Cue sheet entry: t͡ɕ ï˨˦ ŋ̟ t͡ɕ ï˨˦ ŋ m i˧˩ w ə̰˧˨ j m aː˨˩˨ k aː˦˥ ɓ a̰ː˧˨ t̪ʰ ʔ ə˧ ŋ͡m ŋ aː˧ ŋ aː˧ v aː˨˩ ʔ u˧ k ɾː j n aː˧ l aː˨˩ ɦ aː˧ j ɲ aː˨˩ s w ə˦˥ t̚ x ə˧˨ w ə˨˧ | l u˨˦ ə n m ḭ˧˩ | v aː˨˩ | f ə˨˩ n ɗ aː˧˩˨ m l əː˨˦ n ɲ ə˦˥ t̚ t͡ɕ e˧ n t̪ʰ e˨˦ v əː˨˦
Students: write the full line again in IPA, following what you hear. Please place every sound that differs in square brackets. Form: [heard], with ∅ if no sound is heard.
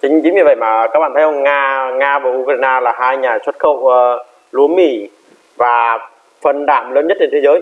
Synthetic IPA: t͡ɕ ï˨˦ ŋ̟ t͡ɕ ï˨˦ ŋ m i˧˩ [v] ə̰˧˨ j m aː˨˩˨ k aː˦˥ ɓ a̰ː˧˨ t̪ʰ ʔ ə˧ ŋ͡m ŋ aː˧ ŋ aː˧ v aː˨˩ ʔ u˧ k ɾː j n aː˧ l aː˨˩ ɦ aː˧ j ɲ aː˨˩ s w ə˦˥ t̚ x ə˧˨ w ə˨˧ | l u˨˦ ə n m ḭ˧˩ | v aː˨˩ | f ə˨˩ n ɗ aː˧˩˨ m l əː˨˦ n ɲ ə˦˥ t̚ t͡ɕ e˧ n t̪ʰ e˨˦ [z] əː˨˦

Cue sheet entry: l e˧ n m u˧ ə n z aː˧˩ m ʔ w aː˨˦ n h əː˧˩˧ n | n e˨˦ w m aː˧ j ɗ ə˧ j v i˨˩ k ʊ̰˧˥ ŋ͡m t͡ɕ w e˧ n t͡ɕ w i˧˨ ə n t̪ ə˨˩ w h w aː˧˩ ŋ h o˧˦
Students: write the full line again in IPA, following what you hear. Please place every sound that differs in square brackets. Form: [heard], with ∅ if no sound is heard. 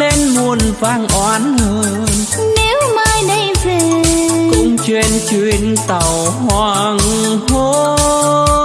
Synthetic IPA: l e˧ n m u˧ ə n [v] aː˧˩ [ŋ] ʔ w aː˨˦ n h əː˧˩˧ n | n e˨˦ w m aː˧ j ɗ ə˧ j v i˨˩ k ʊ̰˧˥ ŋ͡m t͡ɕ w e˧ n t͡ɕ w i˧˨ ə n t̪ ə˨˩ w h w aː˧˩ ŋ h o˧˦

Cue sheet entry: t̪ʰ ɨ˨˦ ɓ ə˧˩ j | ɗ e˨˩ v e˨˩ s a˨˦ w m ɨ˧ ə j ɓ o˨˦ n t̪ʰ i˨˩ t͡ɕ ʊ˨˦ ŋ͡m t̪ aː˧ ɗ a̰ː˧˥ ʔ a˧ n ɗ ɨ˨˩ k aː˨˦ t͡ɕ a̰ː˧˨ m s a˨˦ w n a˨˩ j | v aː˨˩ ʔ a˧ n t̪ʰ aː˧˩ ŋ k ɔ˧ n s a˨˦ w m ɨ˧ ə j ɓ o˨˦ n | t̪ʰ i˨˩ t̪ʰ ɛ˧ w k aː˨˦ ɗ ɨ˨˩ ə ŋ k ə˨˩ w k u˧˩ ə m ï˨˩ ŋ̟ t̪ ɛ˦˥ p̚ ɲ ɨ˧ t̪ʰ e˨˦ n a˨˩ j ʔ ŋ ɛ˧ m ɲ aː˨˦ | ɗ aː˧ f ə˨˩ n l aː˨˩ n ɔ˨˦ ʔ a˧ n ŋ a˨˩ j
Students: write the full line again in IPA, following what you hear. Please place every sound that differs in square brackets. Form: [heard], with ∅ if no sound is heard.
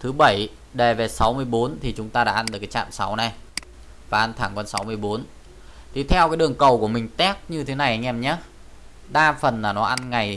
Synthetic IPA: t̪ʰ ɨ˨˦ ɓ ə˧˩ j | ɗ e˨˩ v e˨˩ s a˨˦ w m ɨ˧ ə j ɓ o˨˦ n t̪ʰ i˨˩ t͡ɕ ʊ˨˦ ŋ͡m t̪ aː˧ ɗ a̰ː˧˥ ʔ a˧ n ɗ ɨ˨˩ k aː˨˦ t͡ɕ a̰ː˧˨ m s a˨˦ w n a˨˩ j | v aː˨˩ ʔ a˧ n t̪ʰ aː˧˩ ŋ k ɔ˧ n s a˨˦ w m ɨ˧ ə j ɓ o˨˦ n | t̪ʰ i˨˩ t̪ʰ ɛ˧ w k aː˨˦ ɗ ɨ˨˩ ə ŋ k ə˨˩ w k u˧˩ ə m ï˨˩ ŋ̟ t̪ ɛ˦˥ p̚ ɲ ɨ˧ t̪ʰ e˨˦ n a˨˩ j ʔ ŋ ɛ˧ m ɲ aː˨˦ | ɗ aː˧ f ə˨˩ n l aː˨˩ n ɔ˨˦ ʔ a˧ n ŋ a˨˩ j

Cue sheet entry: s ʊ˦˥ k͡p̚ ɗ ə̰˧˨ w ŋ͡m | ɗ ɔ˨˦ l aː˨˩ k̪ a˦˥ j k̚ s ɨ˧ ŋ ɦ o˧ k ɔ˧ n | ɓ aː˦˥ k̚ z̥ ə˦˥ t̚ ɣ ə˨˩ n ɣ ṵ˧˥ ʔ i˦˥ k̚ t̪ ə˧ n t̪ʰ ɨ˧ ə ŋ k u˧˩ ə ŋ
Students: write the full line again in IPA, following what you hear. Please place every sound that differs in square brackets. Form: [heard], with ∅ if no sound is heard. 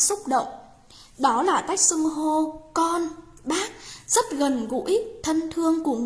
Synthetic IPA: s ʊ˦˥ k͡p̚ ɗ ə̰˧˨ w ŋ͡m | ɗ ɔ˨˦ l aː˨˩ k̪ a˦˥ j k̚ s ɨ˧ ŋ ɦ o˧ k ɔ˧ n | ɓ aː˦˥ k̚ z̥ ə˦˥ t̚ ɣ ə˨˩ n ɣ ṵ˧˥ ʔ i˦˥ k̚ [t̪ʰ] ə˧ n t̪ʰ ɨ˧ ə ŋ k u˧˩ ə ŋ

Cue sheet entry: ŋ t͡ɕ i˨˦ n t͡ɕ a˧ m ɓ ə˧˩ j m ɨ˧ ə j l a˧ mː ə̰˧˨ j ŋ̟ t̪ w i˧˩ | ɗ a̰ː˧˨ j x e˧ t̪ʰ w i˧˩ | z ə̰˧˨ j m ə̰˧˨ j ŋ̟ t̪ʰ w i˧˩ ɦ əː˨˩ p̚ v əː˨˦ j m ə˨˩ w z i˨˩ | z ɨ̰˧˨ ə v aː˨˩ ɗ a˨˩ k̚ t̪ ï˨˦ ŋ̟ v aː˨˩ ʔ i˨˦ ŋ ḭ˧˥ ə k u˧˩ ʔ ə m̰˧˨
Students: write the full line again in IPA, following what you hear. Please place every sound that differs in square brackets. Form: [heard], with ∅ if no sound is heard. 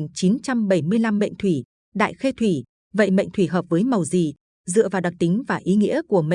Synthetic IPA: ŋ t͡ɕ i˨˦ n t͡ɕ a˧ m ɓ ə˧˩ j m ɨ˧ ə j l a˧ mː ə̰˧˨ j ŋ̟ [t̪ʰ] w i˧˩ | ɗ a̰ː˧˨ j x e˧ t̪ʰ w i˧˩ | [v] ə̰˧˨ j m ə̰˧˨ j ŋ̟ t̪ʰ w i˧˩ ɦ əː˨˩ p̚ v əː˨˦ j m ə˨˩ w z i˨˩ | z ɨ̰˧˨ ə v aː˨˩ ɗ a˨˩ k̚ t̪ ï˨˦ ŋ̟ v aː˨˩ ʔ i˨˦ ŋ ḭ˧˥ ə k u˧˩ [∅] ə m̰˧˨

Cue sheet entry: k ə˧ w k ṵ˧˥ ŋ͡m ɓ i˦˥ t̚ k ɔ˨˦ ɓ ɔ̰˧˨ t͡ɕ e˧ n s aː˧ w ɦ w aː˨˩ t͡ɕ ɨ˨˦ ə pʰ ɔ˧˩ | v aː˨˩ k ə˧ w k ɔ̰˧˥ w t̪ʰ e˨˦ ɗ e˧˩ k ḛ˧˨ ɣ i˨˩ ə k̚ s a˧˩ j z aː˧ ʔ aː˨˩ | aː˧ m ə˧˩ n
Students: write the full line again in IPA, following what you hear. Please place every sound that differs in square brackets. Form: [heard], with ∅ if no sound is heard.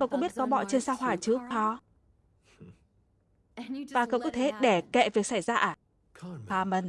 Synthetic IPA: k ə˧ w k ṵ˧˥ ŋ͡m ɓ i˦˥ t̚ k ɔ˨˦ ɓ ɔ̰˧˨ t͡ɕ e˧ n s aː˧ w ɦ w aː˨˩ t͡ɕ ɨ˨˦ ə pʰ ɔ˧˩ | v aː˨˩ k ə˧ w k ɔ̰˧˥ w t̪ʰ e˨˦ ɗ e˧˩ k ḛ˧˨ [v] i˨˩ ə k̚ s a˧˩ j z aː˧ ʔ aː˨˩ | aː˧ m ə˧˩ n

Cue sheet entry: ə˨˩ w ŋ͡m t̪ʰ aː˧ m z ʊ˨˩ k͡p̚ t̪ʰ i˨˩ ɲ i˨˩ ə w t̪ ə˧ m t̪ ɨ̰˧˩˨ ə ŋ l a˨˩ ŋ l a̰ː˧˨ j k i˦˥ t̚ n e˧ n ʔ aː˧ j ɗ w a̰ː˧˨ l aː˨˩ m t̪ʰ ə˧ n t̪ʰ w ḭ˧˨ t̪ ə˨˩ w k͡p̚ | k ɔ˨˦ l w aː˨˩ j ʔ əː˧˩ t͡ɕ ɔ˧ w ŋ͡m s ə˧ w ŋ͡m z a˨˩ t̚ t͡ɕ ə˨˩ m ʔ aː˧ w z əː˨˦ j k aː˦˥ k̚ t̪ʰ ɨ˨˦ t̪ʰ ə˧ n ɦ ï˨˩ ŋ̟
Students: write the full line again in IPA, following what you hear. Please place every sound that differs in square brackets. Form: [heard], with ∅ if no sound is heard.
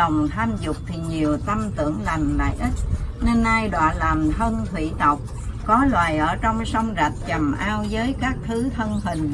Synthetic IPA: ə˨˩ w ŋ͡m t̪ʰ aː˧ m z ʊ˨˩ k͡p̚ t̪ʰ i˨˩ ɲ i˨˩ ə w t̪ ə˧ m t̪ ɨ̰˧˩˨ ə ŋ l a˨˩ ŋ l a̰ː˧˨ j [ʔ] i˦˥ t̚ n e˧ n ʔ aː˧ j ɗ w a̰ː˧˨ l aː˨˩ m t̪ʰ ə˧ n t̪ʰ w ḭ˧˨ t̪ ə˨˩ w k͡p̚ | k ɔ˨˦ l w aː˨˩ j ʔ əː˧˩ t͡ɕ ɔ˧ w ŋ͡m s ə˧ w ŋ͡m z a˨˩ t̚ t͡ɕ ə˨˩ m ʔ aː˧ w z əː˨˦ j k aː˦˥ k̚ t̪ʰ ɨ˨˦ t̪ʰ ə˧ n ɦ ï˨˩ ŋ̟

